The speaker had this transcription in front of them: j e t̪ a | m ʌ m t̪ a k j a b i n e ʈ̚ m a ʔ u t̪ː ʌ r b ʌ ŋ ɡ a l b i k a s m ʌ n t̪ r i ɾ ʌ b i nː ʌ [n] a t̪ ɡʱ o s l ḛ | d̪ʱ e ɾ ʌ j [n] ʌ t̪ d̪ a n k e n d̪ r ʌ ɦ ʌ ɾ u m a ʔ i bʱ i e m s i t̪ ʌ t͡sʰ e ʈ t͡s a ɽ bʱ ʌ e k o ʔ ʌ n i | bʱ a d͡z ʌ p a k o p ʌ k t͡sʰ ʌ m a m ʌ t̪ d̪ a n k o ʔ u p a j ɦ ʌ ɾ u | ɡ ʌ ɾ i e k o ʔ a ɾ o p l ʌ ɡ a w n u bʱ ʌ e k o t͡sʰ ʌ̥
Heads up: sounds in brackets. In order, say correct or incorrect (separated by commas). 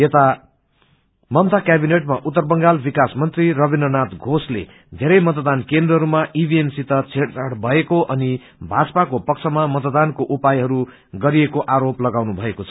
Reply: correct, incorrect